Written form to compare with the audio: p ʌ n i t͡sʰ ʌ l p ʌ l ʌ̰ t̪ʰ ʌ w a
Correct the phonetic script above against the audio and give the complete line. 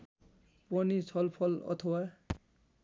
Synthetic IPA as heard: p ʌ n i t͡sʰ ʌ l pʰ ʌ l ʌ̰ t̪ʰ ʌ w a